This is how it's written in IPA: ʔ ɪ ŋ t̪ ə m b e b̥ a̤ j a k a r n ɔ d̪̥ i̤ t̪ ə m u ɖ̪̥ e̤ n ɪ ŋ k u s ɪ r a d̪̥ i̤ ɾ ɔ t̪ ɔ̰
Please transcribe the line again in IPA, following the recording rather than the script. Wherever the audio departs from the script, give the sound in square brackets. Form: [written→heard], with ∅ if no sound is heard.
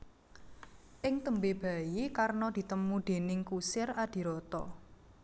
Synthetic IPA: ʔ ɪ ŋ t̪ ə m b e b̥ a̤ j [a→i] k a r n ɔ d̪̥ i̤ t̪ ə m u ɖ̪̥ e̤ n ɪ ŋ k u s ɪ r a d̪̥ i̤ ɾ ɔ t̪ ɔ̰